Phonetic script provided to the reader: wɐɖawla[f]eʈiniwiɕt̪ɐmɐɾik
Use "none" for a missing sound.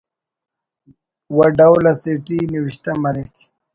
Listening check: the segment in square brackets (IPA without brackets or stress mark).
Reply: s